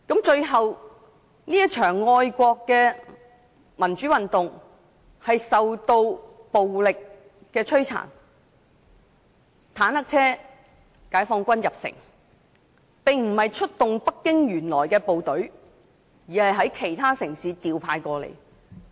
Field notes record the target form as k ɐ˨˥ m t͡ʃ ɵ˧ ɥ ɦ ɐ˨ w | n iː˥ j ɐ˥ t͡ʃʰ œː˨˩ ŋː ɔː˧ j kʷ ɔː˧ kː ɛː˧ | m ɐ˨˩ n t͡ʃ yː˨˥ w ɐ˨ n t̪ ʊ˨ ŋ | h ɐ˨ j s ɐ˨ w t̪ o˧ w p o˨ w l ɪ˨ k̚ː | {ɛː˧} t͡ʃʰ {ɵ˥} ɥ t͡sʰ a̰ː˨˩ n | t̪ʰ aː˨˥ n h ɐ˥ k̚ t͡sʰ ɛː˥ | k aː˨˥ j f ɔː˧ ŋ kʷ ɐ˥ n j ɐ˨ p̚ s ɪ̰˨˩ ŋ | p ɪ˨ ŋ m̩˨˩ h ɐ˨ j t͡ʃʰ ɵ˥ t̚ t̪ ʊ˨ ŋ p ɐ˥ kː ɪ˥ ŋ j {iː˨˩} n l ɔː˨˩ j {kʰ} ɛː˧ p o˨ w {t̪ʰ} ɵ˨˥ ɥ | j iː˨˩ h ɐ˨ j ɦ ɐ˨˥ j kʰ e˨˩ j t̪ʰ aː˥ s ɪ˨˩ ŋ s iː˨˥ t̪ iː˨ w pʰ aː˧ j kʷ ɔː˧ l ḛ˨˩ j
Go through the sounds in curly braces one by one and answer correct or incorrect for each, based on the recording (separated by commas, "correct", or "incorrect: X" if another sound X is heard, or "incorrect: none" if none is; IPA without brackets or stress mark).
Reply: correct, correct, incorrect: yː˨˩, incorrect: k, incorrect: t̪